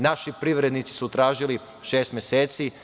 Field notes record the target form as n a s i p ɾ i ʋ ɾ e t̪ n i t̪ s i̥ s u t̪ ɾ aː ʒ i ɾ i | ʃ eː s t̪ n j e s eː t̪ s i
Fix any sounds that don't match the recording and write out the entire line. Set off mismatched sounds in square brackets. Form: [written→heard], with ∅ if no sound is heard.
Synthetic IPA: n a [s→ʃ] i p ɾ i ʋ ɾ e [t̪→d̪] n i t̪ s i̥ s u t̪ ɾ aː ʒ i [ɾ→l] i | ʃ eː s t̪ [n→m] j e s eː t̪ s i